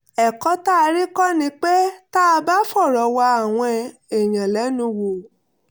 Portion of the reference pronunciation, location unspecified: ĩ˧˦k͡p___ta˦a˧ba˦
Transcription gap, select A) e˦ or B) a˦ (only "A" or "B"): A